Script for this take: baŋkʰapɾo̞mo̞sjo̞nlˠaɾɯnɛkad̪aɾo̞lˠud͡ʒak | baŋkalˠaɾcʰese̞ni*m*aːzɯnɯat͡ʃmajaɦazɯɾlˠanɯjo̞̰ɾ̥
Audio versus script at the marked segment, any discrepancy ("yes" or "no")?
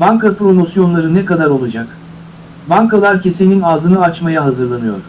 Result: yes